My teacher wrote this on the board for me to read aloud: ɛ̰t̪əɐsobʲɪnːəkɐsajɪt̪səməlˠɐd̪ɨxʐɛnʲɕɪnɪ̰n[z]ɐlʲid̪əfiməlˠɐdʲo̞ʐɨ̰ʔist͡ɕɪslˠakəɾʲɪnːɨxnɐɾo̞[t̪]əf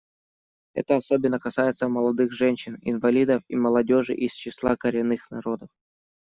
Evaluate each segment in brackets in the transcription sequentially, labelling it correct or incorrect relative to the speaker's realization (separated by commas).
incorrect, incorrect